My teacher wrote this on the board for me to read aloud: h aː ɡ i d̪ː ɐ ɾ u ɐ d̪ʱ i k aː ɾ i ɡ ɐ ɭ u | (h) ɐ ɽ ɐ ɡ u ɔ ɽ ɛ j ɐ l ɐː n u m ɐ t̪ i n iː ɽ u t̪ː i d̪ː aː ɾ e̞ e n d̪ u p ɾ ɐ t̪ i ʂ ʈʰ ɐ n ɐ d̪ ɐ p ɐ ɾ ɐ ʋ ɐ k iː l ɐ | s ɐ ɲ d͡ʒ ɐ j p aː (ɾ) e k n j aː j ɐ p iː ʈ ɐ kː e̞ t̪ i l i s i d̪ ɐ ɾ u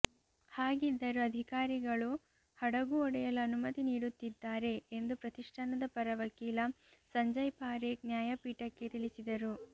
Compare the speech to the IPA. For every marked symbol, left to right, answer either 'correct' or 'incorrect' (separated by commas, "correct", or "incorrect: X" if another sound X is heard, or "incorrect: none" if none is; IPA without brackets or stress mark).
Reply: correct, correct